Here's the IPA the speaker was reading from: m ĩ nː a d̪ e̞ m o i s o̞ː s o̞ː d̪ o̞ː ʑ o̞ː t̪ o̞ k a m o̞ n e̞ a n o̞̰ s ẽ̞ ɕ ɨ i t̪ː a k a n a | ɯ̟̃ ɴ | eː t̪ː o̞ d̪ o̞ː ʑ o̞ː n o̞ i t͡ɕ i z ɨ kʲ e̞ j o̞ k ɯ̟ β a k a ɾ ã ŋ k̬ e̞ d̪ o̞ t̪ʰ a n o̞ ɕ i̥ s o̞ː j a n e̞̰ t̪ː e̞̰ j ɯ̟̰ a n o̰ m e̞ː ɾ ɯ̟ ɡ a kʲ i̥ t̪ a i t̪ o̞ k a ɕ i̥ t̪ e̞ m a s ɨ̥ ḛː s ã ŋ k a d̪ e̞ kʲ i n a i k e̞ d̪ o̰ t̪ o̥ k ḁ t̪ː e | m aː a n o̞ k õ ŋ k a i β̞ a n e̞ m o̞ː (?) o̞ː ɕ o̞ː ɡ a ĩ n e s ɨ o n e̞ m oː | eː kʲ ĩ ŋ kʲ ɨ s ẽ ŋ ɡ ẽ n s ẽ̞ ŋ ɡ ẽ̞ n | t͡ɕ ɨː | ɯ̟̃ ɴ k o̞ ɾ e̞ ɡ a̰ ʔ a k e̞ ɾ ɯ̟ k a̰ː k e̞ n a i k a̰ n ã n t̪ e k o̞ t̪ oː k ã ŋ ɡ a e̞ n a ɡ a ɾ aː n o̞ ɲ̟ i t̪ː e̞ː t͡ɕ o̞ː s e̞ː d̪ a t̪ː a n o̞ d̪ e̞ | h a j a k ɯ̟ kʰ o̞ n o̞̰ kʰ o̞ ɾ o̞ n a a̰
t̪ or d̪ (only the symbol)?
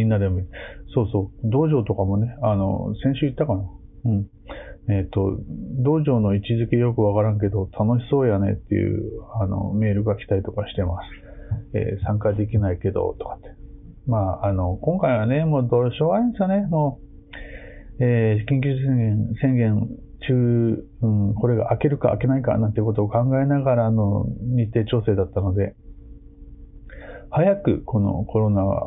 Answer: d̪